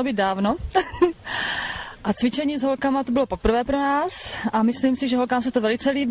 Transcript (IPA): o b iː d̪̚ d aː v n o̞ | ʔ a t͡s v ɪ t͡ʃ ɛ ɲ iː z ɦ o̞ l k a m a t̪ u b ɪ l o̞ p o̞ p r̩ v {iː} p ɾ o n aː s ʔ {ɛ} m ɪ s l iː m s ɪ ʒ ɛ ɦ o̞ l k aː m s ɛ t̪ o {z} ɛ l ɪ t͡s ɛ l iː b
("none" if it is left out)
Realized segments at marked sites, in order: ɛː, a, v

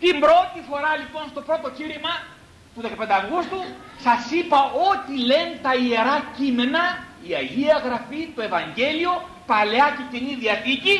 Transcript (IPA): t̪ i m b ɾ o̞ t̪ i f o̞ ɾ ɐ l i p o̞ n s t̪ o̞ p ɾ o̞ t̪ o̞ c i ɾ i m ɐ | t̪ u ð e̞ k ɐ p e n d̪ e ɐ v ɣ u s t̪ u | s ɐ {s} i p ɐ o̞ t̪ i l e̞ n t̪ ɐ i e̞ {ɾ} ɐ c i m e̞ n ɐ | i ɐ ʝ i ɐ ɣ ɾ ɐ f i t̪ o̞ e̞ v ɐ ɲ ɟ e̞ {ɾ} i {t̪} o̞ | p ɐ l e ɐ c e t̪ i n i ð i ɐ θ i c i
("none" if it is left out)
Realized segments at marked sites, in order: s, ɾ, l, none

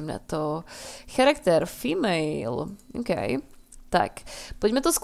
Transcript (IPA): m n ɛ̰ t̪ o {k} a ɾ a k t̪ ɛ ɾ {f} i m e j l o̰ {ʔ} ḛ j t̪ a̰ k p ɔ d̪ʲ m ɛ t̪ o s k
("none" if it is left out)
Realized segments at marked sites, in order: x, f, k

